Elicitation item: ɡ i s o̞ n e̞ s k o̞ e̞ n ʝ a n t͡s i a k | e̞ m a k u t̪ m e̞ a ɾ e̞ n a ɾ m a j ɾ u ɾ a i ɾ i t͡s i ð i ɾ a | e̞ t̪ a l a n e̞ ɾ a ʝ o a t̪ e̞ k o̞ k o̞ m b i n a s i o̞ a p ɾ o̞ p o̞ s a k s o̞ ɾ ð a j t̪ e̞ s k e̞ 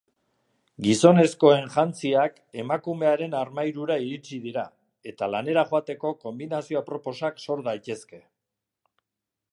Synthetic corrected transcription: ɡ i s o̞ n e̞ s k o̞ e̞ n ʝ a n t͡s i a k | e̞ m a k u m e̞ a ɾ e̞ n a ɾ m a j ɾ u ɾ a i ɾ i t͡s i ð i ɾ a | e̞ t̪ a l a n e̞ ɾ a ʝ o a t̪ e̞ k o̞ k o̞ m b i n a s i o̞ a p ɾ o̞ p o̞ s a k s o̞ ɾ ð a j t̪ e̞ s k e̞